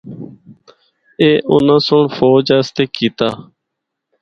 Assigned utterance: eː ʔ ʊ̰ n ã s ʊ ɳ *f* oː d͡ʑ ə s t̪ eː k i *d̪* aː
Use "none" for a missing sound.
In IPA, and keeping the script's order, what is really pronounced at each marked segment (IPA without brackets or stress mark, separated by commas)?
f, t̪